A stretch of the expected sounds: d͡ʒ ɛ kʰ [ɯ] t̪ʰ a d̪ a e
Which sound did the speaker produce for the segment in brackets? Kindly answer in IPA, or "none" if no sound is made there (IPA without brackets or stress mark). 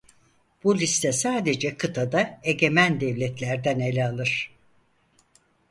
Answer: ɯ